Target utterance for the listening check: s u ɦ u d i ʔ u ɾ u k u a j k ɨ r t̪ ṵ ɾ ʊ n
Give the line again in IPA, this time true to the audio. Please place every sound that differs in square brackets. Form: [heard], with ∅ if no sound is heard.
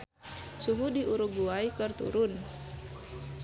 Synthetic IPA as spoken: s u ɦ u d i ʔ u ɾ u [ɡ] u a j k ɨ r t̪ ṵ ɾ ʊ n